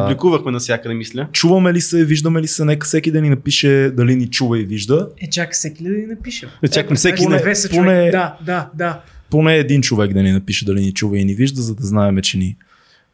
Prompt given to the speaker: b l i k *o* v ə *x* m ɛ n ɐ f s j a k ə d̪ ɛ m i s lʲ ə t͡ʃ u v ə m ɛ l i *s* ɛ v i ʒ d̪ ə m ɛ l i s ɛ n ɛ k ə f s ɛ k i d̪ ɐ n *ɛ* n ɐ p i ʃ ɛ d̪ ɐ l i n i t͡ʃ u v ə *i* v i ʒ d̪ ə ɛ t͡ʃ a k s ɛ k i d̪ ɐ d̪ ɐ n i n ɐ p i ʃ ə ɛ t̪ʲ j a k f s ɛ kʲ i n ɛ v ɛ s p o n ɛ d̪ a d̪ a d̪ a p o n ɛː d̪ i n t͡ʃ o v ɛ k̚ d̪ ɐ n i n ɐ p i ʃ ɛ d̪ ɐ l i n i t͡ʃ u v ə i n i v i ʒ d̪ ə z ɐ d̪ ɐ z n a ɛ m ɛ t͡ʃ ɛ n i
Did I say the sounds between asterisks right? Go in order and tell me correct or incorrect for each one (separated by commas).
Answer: incorrect, correct, correct, incorrect, correct